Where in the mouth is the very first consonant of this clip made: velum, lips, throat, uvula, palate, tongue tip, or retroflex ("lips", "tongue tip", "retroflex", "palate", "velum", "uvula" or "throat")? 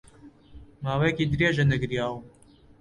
lips